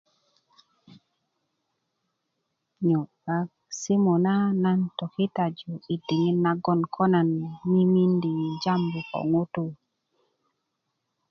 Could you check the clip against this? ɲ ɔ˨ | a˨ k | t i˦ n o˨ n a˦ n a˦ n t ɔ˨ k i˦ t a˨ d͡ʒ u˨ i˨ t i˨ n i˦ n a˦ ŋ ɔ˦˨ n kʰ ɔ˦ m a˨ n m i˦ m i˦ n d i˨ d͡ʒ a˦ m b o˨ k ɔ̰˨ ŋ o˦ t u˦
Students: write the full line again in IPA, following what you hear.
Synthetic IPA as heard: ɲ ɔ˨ | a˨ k | s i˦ m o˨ n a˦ n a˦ n t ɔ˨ k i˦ t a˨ d͡ʒ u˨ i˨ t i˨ ŋ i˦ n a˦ ɡ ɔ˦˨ n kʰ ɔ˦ n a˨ n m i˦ m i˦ n d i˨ d͡ʒ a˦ m b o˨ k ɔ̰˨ ŋ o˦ t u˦